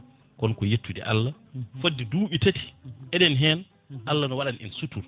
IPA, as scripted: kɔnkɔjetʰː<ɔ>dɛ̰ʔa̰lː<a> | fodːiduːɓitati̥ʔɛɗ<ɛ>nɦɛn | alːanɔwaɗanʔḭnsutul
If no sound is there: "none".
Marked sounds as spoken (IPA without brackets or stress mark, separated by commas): u, a, ɛ